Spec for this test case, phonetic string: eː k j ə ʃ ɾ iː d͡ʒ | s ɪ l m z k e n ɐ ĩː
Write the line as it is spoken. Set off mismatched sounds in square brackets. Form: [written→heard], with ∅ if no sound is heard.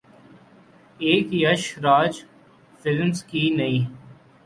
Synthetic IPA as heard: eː k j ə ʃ ɾ [iː→aː] d͡ʒ | [s→f] ɪ l m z k [e→i] n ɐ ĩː

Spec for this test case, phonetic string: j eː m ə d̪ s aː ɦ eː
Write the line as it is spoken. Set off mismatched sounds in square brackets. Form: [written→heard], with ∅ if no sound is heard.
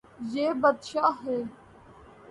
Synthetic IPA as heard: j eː [m→b] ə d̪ [s→ʃ] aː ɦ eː

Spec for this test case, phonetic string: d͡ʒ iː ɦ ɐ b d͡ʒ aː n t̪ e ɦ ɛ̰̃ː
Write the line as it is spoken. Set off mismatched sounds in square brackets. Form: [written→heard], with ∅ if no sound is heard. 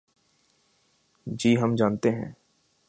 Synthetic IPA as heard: d͡ʒ iː ɦ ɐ [b→m] d͡ʒ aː n t̪ e ɦ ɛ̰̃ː

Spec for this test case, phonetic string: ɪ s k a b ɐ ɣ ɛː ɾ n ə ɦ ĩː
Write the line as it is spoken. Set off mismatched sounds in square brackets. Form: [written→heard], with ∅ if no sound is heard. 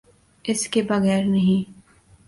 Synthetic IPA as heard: ɪ s k [a→e] b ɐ ɣ ɛː ɾ n [ə→ɐ] ɦ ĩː

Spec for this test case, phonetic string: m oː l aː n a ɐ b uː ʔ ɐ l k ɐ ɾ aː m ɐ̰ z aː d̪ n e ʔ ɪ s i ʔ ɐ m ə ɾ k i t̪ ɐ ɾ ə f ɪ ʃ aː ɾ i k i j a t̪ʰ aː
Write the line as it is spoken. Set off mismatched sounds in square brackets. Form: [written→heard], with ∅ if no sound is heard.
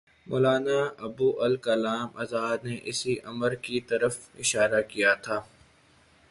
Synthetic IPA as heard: m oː l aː n a ɐ b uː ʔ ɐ l k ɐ [ɾ→l] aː m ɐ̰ z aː d̪ n e ʔ ɪ s i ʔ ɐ m ə ɾ k i t̪ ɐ ɾ ə f ɪ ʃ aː ɾ [i→a] k i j a t̪ʰ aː

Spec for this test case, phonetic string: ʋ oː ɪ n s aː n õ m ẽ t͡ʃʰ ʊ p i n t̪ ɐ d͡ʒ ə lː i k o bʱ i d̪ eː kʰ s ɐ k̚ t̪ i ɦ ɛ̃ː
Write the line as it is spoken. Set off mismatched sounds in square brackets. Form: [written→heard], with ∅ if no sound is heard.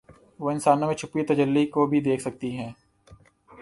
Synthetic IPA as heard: ʋ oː ɪ n s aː n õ m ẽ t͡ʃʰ ʊ p i [n→∅] t̪ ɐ d͡ʒ ə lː i k o bʱ i d̪ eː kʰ s ɐ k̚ t̪ i ɦ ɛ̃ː

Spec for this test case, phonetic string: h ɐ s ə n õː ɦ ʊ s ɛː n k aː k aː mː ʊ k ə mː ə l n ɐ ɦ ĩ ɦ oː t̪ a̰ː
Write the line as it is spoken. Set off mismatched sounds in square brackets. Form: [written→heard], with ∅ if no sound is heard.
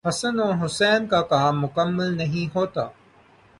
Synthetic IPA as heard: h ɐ s ə n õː ɦ ʊ s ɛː n k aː k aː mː ʊ k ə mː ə l n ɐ ɦ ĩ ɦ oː t̪ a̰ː

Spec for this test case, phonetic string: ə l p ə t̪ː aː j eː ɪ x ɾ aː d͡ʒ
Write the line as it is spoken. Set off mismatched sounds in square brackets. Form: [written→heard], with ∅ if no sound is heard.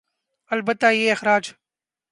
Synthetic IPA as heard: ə l [p→b] ə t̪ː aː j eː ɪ x ɾ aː d͡ʒ

